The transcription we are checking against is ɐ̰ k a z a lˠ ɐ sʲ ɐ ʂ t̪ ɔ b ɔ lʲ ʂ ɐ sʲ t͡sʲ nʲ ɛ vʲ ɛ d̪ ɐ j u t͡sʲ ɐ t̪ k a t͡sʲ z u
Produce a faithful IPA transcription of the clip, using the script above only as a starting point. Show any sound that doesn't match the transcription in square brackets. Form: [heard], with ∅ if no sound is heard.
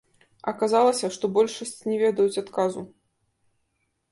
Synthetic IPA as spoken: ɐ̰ k a z a lˠ ɐ sʲ ɐ ʂ t̪ ɔ b ɔ lʲ ʂ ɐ sʲ t͡sʲ nʲ ɛ vʲ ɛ d̪ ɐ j u t͡sʲ [a] t̪ k a [∅] z u